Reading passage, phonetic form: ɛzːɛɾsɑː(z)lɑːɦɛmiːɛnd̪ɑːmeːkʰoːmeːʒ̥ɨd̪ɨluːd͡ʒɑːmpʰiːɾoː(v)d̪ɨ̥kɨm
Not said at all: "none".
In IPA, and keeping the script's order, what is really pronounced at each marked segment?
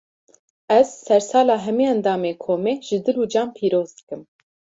none, z

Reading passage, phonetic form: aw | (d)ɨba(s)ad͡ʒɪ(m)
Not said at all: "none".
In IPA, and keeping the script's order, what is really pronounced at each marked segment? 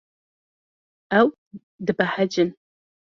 d, ħ, n

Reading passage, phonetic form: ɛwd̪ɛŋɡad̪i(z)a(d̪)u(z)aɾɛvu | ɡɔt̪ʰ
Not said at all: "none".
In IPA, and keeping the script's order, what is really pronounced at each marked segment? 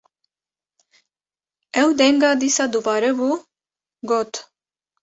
s, d̪, v

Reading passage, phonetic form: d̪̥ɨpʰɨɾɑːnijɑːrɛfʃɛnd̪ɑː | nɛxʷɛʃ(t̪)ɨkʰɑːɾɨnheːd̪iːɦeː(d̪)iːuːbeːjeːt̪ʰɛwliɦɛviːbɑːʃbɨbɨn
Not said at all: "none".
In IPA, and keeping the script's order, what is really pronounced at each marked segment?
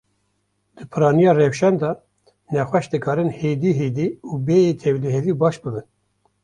d̪, d̪

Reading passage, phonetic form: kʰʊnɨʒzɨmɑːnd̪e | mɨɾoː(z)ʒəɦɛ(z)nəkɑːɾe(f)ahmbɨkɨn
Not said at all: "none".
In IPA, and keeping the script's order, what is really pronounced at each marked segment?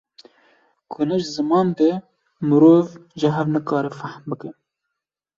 v, v, f

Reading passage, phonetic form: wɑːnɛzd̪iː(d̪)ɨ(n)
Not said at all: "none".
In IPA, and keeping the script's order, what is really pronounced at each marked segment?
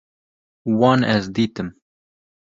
t̪, m

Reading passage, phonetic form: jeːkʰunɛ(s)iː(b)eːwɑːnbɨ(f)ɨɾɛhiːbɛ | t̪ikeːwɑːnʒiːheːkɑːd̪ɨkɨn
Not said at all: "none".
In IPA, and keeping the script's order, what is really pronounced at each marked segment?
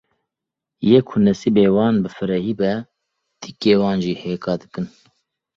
s, b, f

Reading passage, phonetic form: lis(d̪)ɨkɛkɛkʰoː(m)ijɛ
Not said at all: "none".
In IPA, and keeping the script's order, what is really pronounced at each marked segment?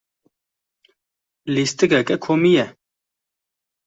t̪, m

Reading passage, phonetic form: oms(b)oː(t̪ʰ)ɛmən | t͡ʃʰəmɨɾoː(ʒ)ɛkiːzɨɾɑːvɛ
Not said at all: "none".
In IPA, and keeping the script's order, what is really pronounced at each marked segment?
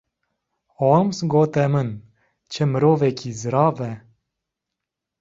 ɡ, t̪, v

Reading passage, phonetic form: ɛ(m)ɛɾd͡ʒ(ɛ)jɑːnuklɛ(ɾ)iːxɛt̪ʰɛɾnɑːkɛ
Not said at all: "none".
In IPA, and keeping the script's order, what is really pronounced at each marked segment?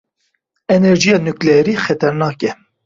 n, i, ɾ

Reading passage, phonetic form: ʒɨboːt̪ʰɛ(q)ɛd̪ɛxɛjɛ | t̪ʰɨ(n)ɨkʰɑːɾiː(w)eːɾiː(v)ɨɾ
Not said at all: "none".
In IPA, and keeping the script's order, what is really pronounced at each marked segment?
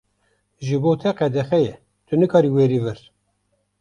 q, n, w, v

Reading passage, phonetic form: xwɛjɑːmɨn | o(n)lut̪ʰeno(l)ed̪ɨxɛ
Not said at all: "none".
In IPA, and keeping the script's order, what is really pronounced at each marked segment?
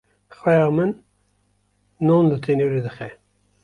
n, ɾ

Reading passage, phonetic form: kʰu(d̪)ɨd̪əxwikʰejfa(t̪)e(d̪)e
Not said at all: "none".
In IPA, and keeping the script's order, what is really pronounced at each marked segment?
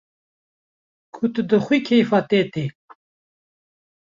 t̪, t̪, t̪

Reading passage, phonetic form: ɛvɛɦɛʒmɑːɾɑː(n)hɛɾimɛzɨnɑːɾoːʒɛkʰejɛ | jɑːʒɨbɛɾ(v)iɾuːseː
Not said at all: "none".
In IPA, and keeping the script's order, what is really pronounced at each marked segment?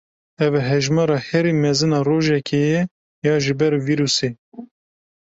none, v

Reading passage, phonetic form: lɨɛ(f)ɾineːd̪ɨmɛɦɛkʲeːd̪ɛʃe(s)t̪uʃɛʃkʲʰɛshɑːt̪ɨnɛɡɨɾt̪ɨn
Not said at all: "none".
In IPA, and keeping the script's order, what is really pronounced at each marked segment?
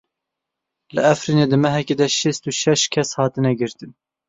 f, s

